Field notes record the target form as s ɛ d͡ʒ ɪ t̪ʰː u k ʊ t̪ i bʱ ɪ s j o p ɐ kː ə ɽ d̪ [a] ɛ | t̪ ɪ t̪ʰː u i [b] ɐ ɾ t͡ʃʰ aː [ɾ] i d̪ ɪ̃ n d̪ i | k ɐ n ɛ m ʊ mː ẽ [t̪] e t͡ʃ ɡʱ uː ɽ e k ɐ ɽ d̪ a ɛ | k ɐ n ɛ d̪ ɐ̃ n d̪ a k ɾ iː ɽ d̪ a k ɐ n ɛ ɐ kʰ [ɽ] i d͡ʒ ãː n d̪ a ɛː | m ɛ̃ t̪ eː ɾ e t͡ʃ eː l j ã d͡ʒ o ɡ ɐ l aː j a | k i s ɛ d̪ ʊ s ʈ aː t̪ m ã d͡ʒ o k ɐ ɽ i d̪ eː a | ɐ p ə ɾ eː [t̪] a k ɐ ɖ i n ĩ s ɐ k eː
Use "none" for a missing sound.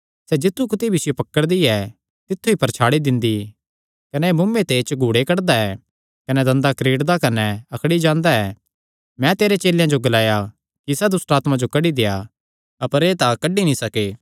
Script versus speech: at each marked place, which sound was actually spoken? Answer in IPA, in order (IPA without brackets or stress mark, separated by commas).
i, p, ɽ, t̪, ɽ, t̪